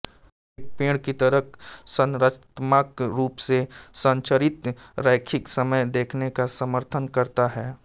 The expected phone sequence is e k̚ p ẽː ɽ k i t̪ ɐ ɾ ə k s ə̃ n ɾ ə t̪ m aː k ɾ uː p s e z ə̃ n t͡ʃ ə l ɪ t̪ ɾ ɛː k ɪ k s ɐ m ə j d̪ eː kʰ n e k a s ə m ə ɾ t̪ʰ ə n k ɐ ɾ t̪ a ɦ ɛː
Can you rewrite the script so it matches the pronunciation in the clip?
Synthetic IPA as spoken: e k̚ p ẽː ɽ k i t̪ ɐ ɾ ə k s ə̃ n ɾ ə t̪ m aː k ɾ uː p s e s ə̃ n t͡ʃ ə ɾ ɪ t̪ ɾ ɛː kʰ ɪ k s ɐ m ə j d̪ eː kʰ n e k a s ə m ə ɾ t̪ʰ ə n k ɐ ɾ t̪ a ɦ ɛː